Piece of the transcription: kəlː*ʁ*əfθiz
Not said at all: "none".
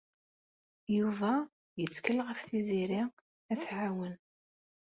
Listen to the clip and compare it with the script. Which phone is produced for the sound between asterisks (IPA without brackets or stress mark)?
ʁ